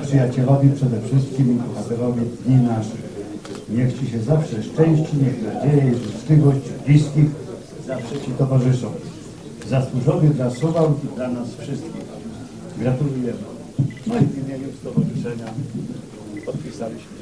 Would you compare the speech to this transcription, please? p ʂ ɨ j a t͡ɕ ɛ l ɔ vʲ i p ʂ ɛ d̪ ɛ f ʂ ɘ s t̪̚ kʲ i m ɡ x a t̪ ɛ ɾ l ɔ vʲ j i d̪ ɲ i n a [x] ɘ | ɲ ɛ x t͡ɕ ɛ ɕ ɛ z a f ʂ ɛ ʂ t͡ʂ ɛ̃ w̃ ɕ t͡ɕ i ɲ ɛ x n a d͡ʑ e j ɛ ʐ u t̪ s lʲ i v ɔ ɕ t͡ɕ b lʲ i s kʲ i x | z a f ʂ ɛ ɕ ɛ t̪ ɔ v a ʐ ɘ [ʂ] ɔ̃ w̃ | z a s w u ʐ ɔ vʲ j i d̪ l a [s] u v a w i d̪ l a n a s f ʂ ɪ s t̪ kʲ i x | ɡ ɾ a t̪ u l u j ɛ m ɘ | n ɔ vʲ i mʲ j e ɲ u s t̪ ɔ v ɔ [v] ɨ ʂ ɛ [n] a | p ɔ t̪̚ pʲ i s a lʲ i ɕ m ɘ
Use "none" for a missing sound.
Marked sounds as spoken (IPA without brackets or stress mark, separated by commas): ʂ, ʂ, s, ʐ, ɲ